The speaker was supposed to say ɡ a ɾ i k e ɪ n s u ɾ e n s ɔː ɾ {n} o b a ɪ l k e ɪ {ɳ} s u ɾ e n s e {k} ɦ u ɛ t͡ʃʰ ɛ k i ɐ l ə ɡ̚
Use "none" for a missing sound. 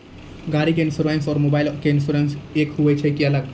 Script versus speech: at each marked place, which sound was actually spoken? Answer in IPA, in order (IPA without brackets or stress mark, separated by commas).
m, n, k